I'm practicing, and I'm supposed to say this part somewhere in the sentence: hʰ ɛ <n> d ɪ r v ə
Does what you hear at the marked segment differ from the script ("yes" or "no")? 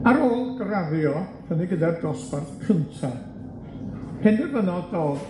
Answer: no